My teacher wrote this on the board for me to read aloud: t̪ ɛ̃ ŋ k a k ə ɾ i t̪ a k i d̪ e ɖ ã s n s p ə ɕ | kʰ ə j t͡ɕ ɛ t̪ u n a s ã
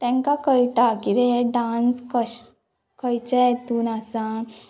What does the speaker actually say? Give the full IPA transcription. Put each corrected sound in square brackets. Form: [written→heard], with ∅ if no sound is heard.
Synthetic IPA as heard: t̪ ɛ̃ ŋ k a k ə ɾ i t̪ a k i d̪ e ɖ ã [s→∅] n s [p→k] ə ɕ | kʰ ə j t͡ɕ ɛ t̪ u n a s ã